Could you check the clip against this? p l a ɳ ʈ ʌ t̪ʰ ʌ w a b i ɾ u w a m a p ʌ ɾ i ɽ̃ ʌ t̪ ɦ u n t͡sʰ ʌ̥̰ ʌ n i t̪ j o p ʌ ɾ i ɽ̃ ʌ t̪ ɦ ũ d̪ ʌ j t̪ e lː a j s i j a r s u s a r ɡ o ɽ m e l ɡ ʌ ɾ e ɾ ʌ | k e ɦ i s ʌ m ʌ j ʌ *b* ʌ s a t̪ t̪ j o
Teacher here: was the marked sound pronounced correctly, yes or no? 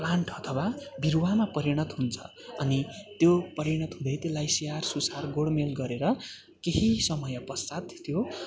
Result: no